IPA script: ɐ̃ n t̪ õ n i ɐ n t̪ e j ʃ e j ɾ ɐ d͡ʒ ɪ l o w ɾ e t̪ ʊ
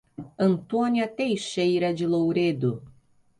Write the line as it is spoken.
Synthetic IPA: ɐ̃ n t̪ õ n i ɐ t̪ e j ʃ e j ɾ ɐ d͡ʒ ɪ l o w ɾ e d̪ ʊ